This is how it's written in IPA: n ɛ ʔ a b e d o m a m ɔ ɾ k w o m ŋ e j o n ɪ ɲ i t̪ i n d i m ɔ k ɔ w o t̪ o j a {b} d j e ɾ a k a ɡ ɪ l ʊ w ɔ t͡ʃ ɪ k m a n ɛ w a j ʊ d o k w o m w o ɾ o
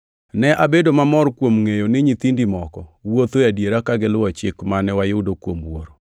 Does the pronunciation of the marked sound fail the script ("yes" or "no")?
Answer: yes